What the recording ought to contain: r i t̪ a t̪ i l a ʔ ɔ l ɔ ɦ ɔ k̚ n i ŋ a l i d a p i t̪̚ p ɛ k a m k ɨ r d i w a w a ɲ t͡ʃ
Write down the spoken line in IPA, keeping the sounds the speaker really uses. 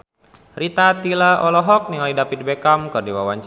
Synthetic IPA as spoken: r i t̪ a t̪ i l a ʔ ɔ l ɔ ɦ ɔ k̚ n i ŋ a l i d a p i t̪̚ b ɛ k a m k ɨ r d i w a w a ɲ t͡ʃ